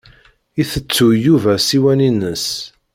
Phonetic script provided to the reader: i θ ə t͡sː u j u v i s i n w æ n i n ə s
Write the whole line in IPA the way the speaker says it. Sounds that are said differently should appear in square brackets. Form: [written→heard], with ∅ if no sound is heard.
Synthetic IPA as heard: i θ ə t͡sː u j u v [i→æ] s i [n→∅] w æ n i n ə s